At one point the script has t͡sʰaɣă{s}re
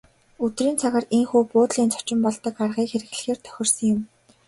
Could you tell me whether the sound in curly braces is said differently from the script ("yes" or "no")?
yes